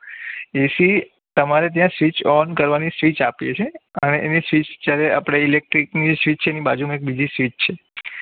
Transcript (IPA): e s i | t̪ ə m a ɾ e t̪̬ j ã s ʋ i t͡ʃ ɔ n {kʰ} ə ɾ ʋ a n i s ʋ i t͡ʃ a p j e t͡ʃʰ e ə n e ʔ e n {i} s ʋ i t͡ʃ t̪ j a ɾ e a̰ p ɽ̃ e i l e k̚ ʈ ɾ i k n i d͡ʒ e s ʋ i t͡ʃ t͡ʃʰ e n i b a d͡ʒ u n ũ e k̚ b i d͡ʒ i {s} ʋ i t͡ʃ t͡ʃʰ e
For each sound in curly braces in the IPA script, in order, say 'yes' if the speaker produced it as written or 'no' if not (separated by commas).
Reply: no, yes, yes